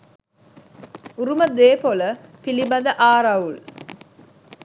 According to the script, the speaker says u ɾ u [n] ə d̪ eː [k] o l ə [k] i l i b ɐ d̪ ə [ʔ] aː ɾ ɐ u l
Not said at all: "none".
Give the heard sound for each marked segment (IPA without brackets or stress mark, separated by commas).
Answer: m, p, p, ʔ